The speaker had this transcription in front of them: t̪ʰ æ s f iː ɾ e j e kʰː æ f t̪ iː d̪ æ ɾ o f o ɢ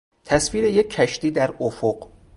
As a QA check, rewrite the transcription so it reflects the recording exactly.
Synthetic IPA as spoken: t̪ʰ æ s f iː ɾ e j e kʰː æ ʃ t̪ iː d̪ æ ɾ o f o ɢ